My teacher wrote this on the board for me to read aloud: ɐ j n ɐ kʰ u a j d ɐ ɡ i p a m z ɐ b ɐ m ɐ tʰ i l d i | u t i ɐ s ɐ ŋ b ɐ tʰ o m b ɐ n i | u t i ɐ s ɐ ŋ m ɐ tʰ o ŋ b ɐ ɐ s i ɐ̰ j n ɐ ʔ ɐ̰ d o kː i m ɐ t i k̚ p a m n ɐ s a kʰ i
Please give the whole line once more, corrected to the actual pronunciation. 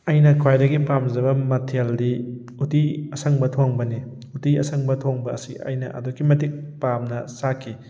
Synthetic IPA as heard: ɐ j n ɐ kʰ w a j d ɐ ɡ i p a m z ɐ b ɐ m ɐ tʰ e l d i | u t i ɐ s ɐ ŋ b ɐ tʰ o ŋ b ɐ n i | u t i ɐ s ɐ ŋ b ɐ tʰ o ŋ b ɐ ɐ s i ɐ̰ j n ɐ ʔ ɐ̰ d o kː i m ɐ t i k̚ p a m n ɐ s a kʰ i